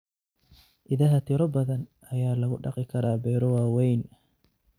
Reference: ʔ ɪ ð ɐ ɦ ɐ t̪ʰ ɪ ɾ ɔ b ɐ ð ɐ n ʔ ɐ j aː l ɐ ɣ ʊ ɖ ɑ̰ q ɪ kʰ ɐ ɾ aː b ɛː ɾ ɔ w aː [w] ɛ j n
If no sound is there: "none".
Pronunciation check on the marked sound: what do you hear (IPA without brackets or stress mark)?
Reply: w